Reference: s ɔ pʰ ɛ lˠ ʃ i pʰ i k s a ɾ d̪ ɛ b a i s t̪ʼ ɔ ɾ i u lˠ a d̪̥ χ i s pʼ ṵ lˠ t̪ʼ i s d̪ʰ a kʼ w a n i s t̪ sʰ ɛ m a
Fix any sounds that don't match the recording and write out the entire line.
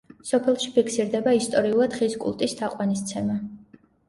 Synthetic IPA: s ɔ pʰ ɛ lˠ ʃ i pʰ i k s i ɾ d̪ ɛ b a i s t̪ʼ ɔ ɾ i u lˠ a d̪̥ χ i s kʼ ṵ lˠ t̪ʼ i s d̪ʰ a qʼ w a n i s t̪ sʰ ɛ m a